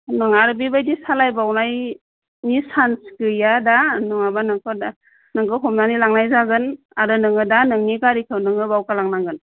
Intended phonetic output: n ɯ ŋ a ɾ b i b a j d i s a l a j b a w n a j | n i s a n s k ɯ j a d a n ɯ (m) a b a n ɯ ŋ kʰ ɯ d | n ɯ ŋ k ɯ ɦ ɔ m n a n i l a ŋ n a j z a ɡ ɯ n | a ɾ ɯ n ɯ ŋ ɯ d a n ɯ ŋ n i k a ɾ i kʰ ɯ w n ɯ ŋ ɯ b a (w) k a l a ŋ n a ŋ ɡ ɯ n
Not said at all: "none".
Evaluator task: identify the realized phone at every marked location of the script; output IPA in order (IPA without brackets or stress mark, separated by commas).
ŋ, w